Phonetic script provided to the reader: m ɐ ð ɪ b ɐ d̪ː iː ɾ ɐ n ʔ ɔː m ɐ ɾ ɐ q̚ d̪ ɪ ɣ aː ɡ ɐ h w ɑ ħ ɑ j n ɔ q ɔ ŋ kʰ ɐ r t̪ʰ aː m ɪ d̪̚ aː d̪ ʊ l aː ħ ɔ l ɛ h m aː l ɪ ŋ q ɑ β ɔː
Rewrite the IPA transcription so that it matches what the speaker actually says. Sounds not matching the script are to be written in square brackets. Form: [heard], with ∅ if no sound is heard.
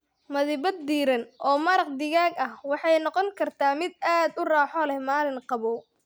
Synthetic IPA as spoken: m ɐ ð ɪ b ɐ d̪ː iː ɾ ɐ n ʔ ɔː m ɐ ɾ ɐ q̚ d̪ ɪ ɣ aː ɡ ɐ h w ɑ ħ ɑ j n ɔ q ɔ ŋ kʰ ɐ r t̪ʰ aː m ɪ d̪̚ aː d̪ ʊ [r] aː ħ ɔ l ɛ h m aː l ɪ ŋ q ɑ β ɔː